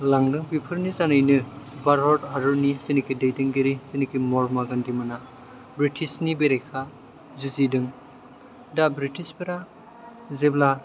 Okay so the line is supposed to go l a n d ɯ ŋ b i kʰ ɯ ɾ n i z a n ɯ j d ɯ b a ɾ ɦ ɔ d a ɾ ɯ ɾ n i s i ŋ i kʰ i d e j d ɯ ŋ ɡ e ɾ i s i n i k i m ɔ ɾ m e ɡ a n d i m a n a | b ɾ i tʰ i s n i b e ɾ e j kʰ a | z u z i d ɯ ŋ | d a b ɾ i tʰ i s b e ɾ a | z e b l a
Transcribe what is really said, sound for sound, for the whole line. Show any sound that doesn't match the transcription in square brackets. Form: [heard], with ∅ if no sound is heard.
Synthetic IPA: l a [ŋ] d ɯ ŋ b i [pʰ] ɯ ɾ n i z a n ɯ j [n] ɯ b a ɾ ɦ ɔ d a ɾ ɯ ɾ n i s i [n] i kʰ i d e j d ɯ ŋ ɡ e ɾ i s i n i k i m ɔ ɾ m [a] ɡ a n d i m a n a | b ɾ i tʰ i s n i b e ɾ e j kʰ a | z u z i d ɯ ŋ | d a b ɾ i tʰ i s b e ɾ a | z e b l a